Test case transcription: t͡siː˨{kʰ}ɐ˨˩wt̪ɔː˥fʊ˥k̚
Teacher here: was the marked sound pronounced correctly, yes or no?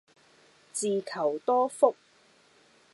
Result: yes